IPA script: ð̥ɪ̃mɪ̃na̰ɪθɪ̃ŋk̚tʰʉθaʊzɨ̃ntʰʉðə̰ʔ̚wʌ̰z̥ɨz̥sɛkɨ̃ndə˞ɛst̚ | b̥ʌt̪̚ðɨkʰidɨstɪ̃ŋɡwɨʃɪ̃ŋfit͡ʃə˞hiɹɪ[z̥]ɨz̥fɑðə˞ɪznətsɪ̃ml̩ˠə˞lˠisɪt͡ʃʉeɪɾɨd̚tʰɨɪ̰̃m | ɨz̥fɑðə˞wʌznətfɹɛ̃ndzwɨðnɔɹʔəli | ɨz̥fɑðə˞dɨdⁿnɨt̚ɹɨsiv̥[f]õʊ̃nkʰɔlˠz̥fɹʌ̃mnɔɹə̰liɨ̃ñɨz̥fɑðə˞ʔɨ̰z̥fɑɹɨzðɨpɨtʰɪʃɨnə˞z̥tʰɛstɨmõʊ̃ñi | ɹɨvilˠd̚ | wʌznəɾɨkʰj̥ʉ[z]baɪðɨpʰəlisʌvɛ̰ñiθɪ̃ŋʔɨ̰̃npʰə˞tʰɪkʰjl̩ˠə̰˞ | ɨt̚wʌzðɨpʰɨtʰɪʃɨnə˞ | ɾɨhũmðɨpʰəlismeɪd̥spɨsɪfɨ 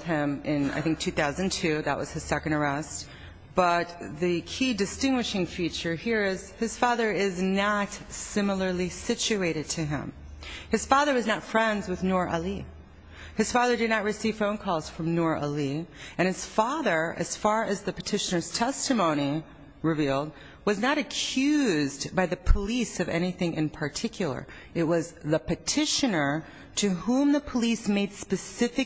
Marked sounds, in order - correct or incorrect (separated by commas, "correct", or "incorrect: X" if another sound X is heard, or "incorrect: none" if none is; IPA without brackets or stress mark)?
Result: correct, correct, correct